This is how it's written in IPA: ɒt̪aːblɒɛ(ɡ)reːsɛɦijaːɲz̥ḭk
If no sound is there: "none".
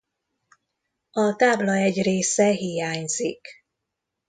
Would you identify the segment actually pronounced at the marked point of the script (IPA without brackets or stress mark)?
ɟ